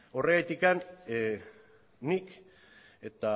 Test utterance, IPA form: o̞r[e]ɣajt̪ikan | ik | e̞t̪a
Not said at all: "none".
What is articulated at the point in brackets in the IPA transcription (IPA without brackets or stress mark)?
e